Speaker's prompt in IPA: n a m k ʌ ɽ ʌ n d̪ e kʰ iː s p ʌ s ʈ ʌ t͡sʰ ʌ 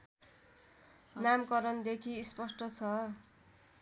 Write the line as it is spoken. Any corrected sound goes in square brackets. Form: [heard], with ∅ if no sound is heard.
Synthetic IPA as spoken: n a m k ʌ [ɾ] ʌ n d̪ e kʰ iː s p ʌ s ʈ ʌ t͡sʰ ʌ